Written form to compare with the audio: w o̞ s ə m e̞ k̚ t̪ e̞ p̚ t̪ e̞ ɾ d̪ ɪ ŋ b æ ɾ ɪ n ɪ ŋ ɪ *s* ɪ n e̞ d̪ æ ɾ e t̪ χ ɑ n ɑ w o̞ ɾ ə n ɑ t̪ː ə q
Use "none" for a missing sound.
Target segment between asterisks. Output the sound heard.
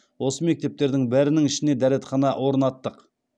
ʃ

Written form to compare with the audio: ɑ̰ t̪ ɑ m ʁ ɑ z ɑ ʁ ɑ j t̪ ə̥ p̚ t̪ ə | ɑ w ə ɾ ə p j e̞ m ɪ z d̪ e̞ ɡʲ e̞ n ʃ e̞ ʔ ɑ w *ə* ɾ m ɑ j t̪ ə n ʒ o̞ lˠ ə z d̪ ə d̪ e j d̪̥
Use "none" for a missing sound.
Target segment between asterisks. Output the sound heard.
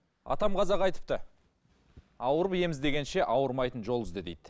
ə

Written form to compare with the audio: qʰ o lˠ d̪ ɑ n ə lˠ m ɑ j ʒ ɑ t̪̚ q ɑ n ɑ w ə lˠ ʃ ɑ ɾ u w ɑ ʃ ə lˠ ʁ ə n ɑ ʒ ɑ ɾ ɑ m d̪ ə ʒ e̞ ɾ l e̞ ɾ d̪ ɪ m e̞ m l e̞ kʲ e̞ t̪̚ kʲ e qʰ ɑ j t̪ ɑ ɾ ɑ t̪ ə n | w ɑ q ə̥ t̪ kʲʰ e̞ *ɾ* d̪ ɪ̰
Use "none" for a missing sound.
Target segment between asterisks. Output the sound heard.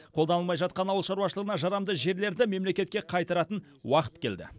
l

